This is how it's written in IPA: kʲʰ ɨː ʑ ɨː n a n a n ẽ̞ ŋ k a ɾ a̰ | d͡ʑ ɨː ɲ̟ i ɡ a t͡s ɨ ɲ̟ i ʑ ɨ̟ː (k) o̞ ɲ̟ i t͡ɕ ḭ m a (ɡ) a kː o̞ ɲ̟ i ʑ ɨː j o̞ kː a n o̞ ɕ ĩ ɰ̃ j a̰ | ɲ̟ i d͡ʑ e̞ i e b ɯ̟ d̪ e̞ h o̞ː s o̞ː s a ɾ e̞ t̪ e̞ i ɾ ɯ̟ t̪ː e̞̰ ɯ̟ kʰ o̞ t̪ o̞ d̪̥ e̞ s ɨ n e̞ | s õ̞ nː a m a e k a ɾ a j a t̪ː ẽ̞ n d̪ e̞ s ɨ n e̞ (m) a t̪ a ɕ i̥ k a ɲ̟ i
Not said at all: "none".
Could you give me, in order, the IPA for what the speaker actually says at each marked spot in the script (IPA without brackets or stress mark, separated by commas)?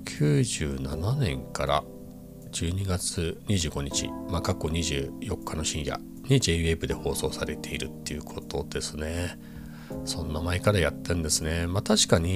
ɡ, k, m